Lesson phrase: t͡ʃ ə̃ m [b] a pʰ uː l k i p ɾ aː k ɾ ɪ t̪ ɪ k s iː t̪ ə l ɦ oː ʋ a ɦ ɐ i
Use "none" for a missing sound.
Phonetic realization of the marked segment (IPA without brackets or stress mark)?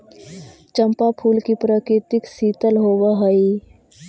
p